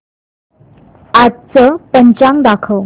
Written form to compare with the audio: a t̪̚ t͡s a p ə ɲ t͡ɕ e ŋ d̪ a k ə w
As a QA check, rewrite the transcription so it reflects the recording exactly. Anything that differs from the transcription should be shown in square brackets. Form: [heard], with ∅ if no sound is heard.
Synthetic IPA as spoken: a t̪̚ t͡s [ə] p ə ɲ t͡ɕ [a] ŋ d̪ a [kʰ] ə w